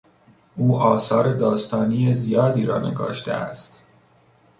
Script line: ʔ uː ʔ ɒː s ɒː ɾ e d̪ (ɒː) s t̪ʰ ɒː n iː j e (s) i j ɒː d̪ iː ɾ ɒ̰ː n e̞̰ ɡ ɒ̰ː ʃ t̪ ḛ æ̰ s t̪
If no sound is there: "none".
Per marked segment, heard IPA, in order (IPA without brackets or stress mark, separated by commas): ɒː, z